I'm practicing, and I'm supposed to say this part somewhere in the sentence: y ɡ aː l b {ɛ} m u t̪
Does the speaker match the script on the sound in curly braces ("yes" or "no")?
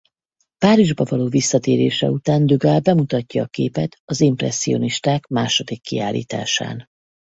yes